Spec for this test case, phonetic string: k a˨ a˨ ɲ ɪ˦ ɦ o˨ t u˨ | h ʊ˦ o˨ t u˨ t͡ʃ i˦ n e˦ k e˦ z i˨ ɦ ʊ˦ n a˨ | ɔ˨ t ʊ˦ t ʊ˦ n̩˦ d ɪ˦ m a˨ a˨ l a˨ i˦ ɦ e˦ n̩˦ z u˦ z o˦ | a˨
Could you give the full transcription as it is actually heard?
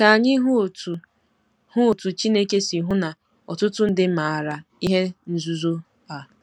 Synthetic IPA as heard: k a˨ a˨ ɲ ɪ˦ ɦ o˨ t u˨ | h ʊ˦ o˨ t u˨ t͡ʃ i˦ n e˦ k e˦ s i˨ ɦ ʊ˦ n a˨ | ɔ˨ t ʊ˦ t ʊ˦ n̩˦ d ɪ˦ m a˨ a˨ ɾ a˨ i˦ ɦ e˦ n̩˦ z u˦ z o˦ | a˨